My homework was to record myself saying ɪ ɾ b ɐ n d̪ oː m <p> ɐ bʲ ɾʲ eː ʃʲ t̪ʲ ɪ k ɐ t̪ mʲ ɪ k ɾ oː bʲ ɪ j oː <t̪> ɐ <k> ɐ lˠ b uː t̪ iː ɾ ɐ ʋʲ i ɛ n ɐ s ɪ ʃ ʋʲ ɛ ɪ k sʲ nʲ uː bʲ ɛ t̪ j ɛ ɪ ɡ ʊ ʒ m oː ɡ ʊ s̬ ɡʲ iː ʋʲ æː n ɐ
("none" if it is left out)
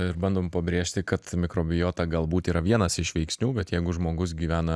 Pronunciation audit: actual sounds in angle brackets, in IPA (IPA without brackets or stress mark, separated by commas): p, t̪, ɡ